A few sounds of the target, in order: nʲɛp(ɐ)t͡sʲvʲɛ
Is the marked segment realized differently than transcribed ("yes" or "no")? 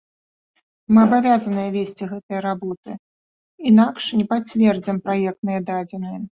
yes